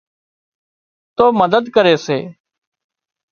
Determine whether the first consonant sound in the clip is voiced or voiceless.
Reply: voiceless